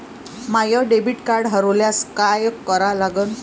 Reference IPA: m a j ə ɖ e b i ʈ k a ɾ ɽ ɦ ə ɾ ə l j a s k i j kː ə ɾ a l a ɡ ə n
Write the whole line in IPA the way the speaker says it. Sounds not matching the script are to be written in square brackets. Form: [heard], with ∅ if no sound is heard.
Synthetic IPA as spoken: m a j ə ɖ e b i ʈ k a ɾ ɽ ɦ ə ɾ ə l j a s k [a] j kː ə ɾ a l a ɡ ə n